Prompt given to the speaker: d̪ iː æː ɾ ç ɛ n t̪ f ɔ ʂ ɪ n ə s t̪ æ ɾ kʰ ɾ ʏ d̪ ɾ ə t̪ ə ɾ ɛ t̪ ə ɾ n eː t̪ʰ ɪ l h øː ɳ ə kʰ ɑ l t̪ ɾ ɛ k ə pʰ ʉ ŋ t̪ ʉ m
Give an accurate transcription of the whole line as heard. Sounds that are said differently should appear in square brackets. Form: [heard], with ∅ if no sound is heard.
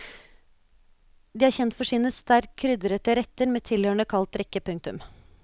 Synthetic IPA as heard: d̪ iː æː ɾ ç ɛ n t̪ f ɔ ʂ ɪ n ə s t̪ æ ɾ kʰ ɾ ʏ d̪ ɾ ə t̪ ə ɾ ɛ t̪ ə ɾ [m] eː t̪ʰ ɪ l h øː ɳ ə kʰ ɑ l t̪ ɾ ɛ k ə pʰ ʉ ŋ t̪ ʉ m

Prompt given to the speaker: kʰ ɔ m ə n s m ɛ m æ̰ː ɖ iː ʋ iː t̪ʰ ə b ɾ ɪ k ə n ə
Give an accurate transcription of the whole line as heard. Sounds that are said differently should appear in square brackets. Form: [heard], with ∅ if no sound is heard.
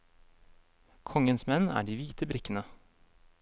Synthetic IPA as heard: kʰ ɔ [ŋ] ə n s m ɛ [n] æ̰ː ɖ iː ʋ iː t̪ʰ ə b ɾ ɪ k ə n ə

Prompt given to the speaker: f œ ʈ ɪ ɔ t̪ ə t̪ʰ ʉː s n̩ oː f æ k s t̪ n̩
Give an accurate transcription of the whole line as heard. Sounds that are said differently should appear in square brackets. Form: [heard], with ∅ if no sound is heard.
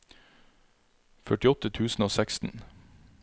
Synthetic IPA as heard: f œ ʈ ɪ ɔ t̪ ə t̪ʰ ʉː s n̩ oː [s] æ k s t̪ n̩

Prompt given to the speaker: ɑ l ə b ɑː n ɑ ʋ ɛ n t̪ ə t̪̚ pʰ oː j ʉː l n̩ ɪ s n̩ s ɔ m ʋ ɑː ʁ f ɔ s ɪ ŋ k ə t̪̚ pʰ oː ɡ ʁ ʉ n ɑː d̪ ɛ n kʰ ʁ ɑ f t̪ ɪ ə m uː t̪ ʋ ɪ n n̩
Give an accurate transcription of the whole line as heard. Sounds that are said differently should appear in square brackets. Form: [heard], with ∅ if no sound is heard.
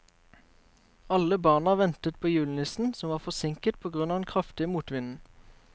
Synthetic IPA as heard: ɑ l ə b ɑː n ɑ ʋ ɛ n t̪ ə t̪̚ pʰ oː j ʉː l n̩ ɪ s n̩ s ɔ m ʋ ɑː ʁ f ɔ s ɪ ŋ k ə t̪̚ pʰ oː ɡ ʁ ʉ n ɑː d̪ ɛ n kʰ ʁ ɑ f t̪ ɪ ə m uː t̪ ʋ ɪ n n̩

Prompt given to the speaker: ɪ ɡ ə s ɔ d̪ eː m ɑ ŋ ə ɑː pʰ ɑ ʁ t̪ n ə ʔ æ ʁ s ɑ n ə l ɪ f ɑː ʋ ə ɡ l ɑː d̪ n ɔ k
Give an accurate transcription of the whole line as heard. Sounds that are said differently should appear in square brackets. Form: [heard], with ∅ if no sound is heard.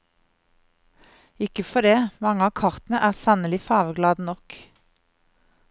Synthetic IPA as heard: ɪ [k] ə [f] ɔ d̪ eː m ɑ ŋ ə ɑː [kʰ] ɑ ʁ t̪ n ə ʔ [æː] ʁ s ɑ n ə l ɪ f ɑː ʋ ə ɡ l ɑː d̪ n ɔ k

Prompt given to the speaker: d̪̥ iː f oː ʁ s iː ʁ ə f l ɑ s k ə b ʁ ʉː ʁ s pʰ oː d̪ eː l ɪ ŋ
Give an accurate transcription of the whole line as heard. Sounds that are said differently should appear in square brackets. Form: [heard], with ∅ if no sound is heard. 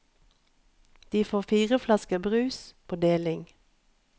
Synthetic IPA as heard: d̪̥ iː f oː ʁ [f] iː ʁ ə f l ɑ s k ə b ʁ ʉː [∅] s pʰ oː d̪ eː l ɪ ŋ

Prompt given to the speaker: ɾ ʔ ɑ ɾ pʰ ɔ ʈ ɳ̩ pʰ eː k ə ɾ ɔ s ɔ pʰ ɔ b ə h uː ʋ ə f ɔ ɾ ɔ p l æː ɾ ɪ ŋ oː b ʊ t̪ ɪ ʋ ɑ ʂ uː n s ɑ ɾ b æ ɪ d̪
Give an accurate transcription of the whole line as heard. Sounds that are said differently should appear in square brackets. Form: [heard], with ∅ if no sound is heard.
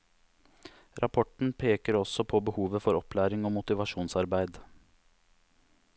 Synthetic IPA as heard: ɾ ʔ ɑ [∅] pʰ ɔ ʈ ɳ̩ pʰ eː k ə ɾ ɔ s ɔ pʰ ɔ b ə h uː ʋ ə f ɔ ɾ ɔ p l æː ɾ ɪ ŋ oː [m] ʊ t̪ ɪ ʋ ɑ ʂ uː n s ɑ ɾ b æ ɪ d̪

